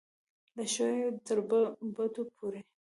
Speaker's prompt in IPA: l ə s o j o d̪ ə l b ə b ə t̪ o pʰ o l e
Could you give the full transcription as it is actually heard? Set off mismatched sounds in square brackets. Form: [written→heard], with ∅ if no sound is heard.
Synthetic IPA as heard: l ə [s→ʃ] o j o [d̪→t̪] ə [l→ɾ] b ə b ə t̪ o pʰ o [l→ɾ] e